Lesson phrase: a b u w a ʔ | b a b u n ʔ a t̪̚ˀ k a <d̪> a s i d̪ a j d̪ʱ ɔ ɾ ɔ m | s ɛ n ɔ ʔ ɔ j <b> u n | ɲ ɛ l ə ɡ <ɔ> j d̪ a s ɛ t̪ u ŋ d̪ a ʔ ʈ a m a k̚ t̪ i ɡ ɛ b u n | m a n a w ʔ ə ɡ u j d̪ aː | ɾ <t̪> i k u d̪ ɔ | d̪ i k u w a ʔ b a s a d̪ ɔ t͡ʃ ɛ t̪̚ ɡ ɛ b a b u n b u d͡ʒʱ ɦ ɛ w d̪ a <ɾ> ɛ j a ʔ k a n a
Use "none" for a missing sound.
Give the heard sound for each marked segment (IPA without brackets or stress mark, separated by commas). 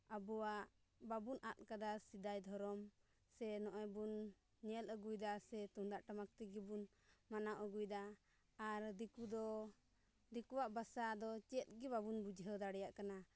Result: d̪, b, u, d̪, ɽ